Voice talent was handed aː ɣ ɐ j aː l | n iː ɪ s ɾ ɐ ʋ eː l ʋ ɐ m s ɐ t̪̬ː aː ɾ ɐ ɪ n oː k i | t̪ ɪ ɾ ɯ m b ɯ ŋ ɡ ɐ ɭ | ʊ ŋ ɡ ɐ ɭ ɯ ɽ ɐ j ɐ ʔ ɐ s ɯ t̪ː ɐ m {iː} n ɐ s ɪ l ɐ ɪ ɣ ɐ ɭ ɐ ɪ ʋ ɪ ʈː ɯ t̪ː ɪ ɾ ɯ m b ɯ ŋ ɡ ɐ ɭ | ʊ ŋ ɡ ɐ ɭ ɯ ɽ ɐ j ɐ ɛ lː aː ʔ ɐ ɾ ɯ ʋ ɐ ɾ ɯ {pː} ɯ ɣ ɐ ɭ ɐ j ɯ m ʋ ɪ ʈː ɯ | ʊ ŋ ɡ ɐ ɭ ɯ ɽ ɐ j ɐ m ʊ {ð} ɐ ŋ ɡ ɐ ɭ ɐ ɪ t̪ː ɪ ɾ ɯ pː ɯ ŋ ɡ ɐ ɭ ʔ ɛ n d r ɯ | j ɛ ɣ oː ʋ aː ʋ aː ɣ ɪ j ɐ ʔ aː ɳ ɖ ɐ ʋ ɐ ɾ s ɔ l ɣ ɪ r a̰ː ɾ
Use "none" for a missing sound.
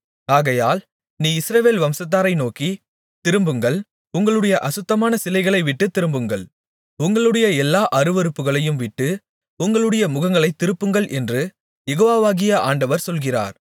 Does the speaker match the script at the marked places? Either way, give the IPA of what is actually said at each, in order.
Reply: aː, pː, ɣ

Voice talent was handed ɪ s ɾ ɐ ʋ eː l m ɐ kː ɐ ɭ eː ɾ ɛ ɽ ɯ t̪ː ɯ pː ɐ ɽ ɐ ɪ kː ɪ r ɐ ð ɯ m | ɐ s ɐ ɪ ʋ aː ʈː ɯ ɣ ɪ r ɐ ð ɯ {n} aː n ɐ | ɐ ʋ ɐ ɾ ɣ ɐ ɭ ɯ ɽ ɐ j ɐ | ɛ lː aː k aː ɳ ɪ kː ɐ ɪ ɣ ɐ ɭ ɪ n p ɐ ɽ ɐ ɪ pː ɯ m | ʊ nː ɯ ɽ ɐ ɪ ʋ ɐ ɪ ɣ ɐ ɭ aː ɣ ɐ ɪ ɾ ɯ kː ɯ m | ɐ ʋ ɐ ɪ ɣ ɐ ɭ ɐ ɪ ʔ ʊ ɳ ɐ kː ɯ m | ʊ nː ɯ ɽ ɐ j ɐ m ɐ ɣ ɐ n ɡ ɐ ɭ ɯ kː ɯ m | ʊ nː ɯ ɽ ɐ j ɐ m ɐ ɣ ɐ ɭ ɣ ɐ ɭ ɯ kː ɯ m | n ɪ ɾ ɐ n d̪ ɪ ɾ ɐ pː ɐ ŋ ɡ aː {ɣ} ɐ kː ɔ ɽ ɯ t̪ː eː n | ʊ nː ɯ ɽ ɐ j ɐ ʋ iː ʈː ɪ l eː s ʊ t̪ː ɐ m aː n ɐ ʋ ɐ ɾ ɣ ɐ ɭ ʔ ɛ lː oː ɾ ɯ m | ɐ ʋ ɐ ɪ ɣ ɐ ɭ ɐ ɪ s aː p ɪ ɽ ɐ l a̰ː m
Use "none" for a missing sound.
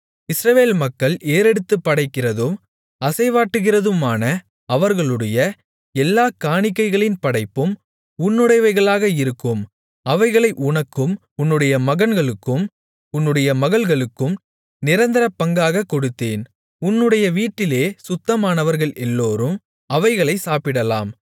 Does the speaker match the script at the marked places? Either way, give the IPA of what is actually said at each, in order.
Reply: m, ɣ

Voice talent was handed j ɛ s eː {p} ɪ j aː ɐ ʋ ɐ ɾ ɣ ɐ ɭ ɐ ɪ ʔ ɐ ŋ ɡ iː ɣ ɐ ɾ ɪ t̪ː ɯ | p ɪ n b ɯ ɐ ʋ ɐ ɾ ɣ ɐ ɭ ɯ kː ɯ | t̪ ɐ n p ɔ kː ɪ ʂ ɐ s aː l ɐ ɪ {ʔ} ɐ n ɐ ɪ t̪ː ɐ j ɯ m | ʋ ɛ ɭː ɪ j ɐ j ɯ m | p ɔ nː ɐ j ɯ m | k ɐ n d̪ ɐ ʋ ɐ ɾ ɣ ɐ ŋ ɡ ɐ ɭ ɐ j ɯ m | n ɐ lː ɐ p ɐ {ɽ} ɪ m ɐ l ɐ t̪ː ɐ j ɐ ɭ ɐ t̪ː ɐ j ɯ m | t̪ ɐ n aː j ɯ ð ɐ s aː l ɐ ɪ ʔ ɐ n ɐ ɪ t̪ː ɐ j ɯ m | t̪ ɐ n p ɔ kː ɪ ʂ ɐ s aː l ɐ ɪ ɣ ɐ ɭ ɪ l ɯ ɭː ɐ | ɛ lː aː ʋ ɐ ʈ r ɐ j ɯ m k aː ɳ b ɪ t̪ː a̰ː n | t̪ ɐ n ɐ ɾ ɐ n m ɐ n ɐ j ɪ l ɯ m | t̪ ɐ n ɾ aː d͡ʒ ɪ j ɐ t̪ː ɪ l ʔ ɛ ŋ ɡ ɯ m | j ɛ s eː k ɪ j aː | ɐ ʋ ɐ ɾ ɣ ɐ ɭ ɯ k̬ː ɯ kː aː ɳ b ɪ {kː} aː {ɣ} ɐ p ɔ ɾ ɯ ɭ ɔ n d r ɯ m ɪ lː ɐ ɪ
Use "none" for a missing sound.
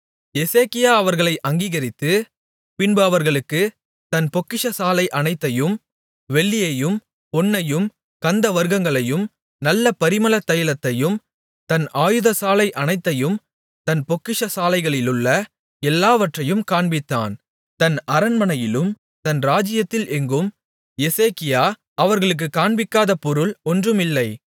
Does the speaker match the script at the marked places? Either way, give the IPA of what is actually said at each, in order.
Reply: k, ʔ, ɾ, kː, ð

